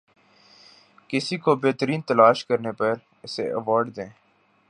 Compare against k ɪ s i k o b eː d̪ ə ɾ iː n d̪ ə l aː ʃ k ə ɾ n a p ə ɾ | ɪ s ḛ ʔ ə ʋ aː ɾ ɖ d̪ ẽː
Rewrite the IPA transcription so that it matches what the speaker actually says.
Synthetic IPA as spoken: k ɪ s i k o b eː t̪ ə ɾ iː n t̪ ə l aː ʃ k ə ɾ n e p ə ɾ | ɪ s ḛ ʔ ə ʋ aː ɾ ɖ d̪ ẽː